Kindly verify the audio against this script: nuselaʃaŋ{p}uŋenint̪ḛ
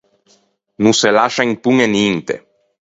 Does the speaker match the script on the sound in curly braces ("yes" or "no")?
yes